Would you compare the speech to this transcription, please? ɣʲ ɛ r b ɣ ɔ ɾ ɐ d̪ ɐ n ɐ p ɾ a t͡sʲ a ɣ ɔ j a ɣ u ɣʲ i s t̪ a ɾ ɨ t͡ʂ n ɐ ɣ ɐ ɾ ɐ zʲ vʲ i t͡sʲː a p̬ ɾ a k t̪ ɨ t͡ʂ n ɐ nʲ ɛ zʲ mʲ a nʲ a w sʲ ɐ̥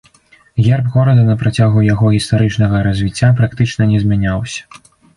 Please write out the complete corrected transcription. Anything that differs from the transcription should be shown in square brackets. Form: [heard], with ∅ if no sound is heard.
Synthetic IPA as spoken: ɣʲ ɛ r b ɣ ɔ ɾ ɐ d̪ ɐ n ɐ p ɾ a t͡sʲ a ɣ [u] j a ɣ [ɔ] ɣʲ i s t̪ a ɾ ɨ t͡ʂ n ɐ ɣ ɐ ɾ ɐ zʲ vʲ i t͡sʲː a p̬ ɾ a k t̪ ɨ t͡ʂ n ɐ nʲ ɛ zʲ mʲ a nʲ a w sʲ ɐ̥